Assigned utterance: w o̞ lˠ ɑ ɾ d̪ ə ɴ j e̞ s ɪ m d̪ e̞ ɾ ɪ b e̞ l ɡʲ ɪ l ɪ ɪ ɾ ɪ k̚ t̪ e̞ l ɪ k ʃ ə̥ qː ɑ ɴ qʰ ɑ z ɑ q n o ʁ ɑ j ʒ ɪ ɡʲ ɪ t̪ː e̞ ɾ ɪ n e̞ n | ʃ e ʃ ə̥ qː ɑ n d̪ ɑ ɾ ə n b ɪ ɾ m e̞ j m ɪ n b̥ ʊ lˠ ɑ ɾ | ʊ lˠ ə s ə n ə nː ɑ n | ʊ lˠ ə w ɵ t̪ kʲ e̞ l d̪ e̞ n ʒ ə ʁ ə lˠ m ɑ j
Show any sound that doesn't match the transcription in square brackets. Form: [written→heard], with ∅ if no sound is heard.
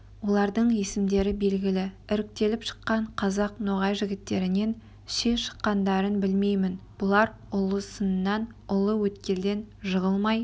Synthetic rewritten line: w o̞ lˠ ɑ ɾ d̪ ə ɴ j e̞ s ɪ m d̪ e̞ ɾ ɪ b e̞ l ɡʲ ɪ l ɪ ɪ ɾ ɪ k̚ t̪ e̞ l ɪ [k→p] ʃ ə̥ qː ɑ ɴ qʰ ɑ z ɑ q n o ʁ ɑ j ʒ ɪ ɡʲ ɪ t̪ː e̞ ɾ ɪ n e̞ n | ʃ e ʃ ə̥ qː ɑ n d̪ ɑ ɾ ə n b ɪ [ɾ→l] m e̞ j m ɪ n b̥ ʊ lˠ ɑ ɾ | ʊ lˠ ə s ə n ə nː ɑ n | ʊ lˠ ə w ɵ t̪ kʲ e̞ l d̪ e̞ n ʒ ə ʁ ə lˠ m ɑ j